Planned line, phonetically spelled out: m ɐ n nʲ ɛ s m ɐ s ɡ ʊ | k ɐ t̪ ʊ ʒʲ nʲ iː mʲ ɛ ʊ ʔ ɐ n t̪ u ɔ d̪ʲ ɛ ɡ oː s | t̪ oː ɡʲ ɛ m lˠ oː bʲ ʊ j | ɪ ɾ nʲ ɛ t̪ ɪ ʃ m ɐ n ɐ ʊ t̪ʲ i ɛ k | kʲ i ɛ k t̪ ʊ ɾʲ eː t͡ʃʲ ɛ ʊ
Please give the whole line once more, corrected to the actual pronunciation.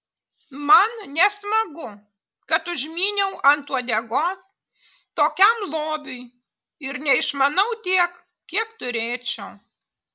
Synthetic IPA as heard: m ɐ n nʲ ɛ s m ɐ ɡ ʊ | k ɐ t̪ ʊ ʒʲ mʲ iː nʲ ɛ ʊ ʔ ɐ n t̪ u ɔ d̪ʲ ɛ ɡ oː s | t̪ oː kʲ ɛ m lˠ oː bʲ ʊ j | ɪ ɾ nʲ ɛ ɪ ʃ m ɐ n ɐ ʊ t̪ʲ i ɛ k | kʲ i ɛ k t̪ ʊ ɾʲ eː t͡ʃʲ ɛ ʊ